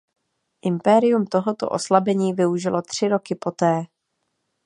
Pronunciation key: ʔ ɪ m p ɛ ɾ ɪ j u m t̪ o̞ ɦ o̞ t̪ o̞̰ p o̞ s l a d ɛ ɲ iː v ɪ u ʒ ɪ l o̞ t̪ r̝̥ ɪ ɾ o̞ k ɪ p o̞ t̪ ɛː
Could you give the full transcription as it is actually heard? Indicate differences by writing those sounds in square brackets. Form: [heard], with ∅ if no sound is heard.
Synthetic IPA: ʔ ɪ m p ɛ ɾ ɪ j u m t̪ o̞ ɦ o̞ t̪ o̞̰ [ʔ] o̞ s l a [b] ɛ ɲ iː v ɪ u ʒ ɪ l o̞ t̪ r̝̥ ɪ ɾ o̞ k ɪ p o̞ t̪ ɛː